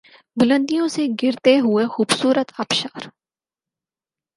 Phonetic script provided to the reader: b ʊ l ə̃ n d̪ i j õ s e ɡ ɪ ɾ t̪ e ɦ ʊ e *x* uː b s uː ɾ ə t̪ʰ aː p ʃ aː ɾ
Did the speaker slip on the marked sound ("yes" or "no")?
no